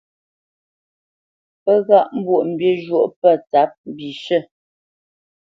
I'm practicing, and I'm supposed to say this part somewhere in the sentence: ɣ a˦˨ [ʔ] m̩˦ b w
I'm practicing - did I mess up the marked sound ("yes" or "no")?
no